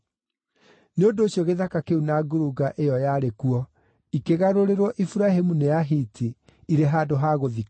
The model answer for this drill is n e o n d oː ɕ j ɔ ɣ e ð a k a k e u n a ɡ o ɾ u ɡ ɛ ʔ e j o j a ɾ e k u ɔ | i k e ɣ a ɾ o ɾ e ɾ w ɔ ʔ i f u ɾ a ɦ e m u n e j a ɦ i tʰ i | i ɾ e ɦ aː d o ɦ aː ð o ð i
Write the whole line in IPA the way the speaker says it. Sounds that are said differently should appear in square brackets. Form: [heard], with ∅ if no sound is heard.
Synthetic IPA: n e o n d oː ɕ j ɔ ɣ e ð a k a k e u n a ɡ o ɾ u ɡ [a] ʔ e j [ɔ] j a ɾ e k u ɔ | i k e ɣ a ɾ o ɾ e ɾ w ɔ ʔ i f u ɾ a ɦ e m u n e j a ɦ i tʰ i | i ɾ e ɦ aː d o ɦ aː [ɣ] o ð i